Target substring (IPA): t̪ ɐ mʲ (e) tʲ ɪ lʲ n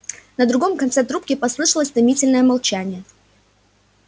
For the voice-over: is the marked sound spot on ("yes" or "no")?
no